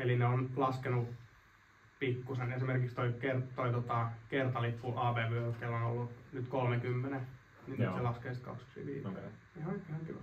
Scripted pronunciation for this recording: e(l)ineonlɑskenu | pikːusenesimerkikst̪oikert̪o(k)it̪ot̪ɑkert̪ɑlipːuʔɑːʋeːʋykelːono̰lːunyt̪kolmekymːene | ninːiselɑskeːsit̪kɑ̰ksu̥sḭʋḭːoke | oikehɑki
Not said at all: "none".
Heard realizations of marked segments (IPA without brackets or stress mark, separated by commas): l, none